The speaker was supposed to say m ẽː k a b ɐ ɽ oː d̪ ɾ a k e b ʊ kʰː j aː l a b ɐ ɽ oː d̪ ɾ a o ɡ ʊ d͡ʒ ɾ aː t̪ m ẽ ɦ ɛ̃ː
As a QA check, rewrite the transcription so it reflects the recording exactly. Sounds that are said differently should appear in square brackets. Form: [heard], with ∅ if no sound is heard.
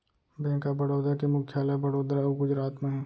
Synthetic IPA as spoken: [b] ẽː k a b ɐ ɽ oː d̪ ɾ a k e [m] ʊ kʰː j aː l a b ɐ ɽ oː d̪ ɾ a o ɡ ʊ d͡ʒ ɾ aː t̪ m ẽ ɦ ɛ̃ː